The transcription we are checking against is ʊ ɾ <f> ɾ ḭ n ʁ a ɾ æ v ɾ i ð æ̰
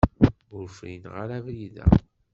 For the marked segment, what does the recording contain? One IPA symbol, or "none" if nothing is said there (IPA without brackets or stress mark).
f